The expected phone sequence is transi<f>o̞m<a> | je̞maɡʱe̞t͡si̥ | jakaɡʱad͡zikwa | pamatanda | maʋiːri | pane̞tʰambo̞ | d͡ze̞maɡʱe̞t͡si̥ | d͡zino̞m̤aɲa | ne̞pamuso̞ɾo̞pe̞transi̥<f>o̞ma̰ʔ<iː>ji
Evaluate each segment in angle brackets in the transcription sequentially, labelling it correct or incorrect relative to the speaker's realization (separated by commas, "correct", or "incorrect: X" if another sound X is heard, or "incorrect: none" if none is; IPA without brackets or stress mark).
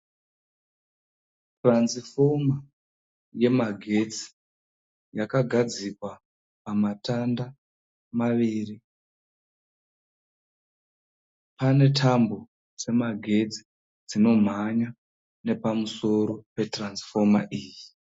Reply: correct, correct, correct, correct